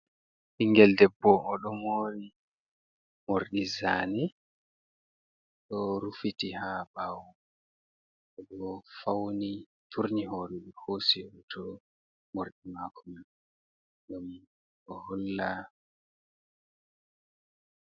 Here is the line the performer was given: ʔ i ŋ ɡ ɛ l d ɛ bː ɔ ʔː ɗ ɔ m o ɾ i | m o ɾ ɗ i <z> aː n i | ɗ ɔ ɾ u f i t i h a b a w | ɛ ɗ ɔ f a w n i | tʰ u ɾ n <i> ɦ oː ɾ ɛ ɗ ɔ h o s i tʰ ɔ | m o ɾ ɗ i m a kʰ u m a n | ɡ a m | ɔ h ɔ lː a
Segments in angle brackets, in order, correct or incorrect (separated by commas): correct, correct